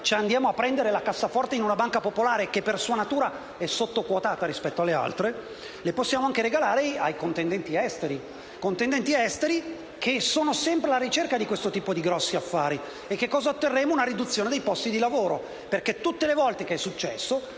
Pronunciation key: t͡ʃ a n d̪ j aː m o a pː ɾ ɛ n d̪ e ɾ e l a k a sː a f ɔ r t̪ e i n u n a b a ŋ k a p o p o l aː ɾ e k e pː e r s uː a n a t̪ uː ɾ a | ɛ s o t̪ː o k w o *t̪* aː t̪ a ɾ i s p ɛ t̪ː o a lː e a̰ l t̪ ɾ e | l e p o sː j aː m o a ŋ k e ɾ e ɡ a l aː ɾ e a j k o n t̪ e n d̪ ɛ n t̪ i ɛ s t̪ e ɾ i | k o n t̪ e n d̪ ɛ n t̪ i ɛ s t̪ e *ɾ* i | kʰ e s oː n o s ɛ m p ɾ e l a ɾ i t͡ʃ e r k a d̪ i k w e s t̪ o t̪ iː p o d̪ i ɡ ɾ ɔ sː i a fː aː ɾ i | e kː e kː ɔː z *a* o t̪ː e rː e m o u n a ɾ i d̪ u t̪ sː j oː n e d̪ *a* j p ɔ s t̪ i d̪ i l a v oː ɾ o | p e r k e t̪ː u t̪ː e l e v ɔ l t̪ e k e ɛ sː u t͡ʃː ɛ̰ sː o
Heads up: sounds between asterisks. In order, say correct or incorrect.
correct, correct, correct, incorrect

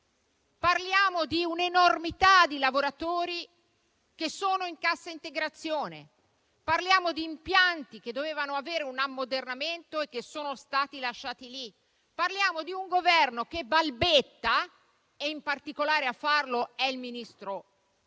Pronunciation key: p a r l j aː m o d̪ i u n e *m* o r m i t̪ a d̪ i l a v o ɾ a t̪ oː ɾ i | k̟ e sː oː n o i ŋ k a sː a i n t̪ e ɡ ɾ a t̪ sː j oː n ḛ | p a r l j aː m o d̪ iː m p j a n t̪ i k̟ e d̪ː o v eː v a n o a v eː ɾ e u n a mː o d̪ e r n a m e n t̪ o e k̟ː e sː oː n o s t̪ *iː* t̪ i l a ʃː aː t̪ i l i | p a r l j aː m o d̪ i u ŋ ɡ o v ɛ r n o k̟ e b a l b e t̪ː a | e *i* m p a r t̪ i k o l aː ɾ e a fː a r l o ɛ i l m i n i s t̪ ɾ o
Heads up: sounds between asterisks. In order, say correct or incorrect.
incorrect, incorrect, correct

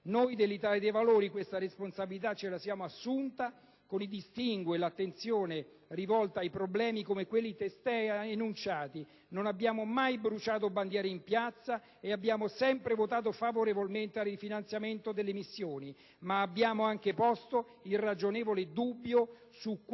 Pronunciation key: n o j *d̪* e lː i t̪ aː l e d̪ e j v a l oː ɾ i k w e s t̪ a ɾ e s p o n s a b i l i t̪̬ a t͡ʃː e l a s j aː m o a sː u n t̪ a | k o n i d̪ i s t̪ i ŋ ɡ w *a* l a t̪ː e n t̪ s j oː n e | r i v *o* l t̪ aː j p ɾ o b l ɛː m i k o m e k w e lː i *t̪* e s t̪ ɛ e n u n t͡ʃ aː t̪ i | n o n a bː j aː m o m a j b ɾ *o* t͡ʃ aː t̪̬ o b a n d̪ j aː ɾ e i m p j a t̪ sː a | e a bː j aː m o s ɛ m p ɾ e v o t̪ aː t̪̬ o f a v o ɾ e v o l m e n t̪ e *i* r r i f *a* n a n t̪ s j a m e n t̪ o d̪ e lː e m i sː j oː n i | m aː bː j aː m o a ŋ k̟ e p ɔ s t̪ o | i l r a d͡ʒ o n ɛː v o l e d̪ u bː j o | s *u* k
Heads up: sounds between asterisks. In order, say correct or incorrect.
correct, incorrect, incorrect, correct, incorrect, incorrect, incorrect, correct

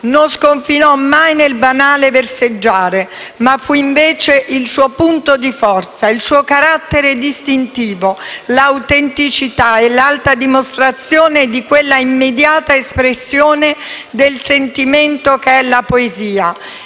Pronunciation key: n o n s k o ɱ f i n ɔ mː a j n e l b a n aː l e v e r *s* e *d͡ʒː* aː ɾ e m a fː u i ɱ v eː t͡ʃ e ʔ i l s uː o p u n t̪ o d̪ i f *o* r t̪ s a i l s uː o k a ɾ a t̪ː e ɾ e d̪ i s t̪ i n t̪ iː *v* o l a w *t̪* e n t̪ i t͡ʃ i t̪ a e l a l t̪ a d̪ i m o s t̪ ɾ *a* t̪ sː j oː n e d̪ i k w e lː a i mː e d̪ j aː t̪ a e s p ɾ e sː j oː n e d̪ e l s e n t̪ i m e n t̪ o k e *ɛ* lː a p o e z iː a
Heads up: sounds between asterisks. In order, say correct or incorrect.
correct, correct, incorrect, correct, correct, correct, correct

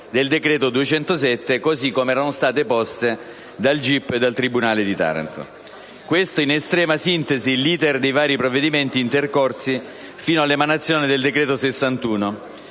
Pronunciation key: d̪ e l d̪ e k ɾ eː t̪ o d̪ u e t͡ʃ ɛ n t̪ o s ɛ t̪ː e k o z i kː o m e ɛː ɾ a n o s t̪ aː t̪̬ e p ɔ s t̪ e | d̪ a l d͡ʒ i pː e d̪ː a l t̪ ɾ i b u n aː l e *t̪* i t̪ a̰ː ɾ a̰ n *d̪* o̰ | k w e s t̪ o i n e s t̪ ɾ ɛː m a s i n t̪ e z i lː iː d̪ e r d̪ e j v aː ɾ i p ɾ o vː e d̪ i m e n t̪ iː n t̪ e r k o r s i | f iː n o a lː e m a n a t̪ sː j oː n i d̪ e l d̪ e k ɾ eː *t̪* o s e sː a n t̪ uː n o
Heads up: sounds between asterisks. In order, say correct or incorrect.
incorrect, incorrect, correct

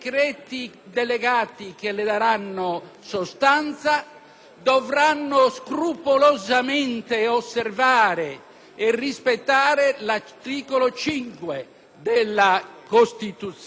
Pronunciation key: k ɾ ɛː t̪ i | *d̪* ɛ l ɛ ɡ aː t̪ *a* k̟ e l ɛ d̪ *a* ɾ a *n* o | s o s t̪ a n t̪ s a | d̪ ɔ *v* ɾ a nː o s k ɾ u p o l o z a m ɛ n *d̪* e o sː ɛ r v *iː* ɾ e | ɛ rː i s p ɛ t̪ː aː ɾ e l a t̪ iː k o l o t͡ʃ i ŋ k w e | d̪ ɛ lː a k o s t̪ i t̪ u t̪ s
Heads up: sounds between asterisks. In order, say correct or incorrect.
correct, incorrect, correct, incorrect, correct, incorrect, incorrect

